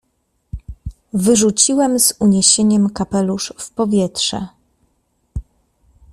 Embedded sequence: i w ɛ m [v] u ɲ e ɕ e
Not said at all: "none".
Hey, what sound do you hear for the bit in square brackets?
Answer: z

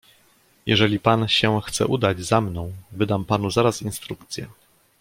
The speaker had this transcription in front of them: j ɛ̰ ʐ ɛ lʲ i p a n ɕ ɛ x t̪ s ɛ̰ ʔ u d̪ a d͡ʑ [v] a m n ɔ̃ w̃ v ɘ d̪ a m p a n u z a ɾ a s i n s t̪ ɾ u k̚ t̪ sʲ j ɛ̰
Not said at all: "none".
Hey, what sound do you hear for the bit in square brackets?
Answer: z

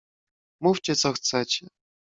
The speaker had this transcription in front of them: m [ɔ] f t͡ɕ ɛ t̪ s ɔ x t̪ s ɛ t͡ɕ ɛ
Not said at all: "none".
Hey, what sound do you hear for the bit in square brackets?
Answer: u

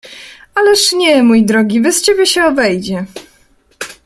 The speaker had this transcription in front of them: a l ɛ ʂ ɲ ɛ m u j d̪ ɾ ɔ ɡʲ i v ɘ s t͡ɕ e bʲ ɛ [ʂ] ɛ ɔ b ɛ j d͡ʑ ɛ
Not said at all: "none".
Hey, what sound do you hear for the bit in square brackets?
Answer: ɕ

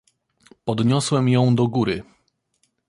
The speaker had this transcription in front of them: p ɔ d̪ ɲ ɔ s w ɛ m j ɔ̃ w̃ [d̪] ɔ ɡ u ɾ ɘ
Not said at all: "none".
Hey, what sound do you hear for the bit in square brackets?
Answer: d̪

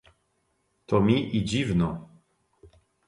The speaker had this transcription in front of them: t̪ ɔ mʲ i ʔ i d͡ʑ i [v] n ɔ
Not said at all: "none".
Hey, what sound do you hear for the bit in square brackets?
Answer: v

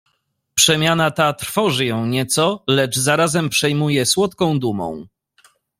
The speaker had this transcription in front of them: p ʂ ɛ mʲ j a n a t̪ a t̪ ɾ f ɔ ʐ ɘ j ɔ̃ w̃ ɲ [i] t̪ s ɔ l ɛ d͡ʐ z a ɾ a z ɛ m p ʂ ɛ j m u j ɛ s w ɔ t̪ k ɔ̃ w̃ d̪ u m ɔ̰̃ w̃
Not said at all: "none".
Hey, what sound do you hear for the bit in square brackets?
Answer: ɛ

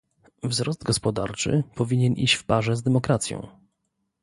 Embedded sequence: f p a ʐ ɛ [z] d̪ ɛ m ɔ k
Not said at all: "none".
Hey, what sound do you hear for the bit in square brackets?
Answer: z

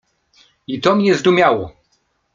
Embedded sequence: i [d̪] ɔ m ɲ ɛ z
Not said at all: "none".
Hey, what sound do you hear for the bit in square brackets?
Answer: t̪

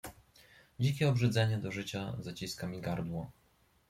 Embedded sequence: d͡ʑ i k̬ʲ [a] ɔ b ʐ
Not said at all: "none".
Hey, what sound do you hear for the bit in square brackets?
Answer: ɛ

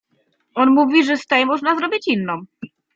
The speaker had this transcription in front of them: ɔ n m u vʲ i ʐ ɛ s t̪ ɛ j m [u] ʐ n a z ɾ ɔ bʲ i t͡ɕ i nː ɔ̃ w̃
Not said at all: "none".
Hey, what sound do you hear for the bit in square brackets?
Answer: ɔ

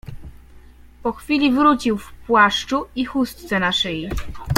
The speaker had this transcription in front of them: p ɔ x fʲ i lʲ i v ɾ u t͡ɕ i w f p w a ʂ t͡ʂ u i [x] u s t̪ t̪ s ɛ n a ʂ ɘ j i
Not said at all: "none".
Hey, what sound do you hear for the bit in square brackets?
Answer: x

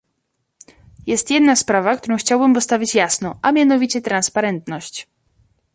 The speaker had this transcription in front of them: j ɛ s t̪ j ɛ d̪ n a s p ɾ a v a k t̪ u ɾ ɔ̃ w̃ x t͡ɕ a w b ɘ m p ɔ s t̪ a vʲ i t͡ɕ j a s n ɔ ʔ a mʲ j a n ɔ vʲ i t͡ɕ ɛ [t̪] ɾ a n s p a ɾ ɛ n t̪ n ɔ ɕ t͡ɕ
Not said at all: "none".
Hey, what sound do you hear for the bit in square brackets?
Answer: t̪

